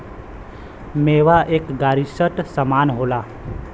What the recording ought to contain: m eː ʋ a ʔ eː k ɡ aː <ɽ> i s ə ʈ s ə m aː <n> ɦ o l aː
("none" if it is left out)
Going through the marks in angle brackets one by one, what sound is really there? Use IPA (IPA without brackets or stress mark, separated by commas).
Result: ɾ, n